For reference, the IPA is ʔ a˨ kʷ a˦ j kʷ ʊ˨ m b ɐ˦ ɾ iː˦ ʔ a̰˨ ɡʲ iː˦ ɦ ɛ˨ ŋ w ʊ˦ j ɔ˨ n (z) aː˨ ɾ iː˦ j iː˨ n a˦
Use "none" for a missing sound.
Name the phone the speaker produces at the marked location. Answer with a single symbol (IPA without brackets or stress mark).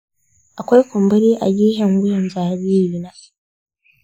z